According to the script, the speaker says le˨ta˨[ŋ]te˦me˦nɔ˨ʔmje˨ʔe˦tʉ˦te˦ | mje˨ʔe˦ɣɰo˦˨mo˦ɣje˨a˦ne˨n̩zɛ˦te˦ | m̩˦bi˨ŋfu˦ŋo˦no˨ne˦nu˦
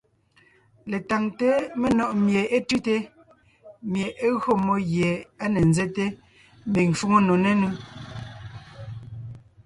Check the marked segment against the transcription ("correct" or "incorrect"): correct